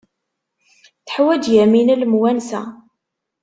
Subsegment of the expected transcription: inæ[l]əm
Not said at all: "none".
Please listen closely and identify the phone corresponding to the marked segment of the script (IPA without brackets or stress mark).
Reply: l